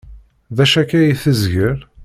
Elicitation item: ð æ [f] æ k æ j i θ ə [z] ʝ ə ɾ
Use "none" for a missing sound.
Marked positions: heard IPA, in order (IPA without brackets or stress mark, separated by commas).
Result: ʃ, z